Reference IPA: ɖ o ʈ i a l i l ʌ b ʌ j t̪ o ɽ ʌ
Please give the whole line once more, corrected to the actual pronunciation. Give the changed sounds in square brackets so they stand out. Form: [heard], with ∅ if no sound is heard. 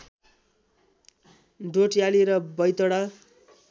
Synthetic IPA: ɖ o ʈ [j] a l i [ɾ] ʌ b ʌ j t̪ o ɽ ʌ